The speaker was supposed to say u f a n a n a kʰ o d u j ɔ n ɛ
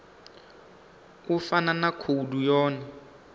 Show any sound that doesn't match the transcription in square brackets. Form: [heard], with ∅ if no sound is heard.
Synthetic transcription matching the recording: u f a n a n a kʰ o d u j [ɔː] n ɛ

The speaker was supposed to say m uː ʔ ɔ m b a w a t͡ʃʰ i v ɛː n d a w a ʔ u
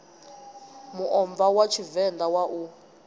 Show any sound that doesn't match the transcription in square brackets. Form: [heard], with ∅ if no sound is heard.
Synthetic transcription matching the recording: m [u] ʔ ɔ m [v] a w a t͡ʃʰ i v [ɛ] n d a w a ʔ u

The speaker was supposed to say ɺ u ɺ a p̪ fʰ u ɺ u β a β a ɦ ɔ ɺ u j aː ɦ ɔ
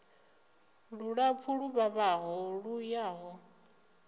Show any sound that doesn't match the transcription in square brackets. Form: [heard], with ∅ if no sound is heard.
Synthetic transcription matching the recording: ɺ u ɺ a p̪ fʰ u ɺ u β a β a ɦ ɔ ɺ u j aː ɦ ɔ

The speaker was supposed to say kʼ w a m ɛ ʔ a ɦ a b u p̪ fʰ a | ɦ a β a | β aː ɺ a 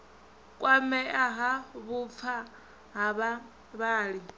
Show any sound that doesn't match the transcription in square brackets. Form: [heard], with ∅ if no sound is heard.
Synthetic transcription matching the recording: kʼ w a m ɛ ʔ a ɦ a [β] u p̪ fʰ a | ɦ a β a | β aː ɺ [i]

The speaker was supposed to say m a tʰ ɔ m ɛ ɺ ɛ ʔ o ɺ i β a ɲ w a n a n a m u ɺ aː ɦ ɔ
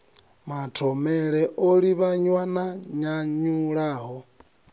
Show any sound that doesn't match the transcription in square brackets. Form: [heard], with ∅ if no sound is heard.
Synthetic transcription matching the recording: m a tʰ ɔ m ɛ ɺ ɛ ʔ o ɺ i β a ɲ w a n a [ɲ] a [ɲ] u ɺ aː ɦ ɔ

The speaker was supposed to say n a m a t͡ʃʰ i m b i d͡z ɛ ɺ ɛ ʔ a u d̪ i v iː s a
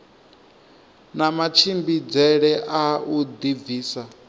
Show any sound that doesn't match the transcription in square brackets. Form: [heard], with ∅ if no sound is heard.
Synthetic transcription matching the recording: n a m a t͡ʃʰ i m b i d͡z ɛ ɺ ɛ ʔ a u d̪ i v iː s a

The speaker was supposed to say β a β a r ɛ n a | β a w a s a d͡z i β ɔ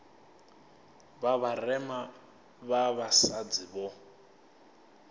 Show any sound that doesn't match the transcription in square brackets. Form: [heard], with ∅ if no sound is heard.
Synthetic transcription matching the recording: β a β a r ɛ [m] a | β a [β] a s a d͡z i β ɔ

